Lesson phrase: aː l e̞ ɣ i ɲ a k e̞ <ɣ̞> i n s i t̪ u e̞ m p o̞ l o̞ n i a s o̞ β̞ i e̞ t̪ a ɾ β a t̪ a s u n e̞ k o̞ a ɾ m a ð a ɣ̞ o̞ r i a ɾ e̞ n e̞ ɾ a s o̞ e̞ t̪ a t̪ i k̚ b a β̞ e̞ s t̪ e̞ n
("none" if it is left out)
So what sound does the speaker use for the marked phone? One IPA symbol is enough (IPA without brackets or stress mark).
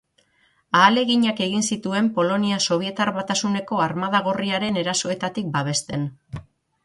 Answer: ɣ̞